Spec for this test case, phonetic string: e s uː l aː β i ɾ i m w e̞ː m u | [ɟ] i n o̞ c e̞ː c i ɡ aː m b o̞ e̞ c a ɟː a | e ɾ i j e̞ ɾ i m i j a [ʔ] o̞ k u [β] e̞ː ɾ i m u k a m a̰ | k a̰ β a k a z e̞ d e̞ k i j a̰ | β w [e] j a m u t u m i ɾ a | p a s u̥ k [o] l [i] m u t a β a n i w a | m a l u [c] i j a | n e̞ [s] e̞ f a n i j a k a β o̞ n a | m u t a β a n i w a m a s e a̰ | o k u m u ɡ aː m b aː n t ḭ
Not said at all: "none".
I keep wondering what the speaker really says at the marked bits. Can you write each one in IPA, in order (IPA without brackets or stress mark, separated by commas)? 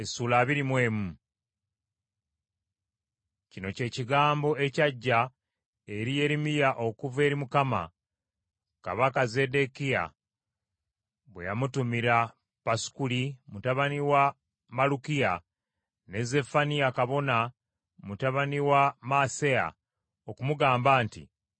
c, ʔ, v, e, u, i, k, z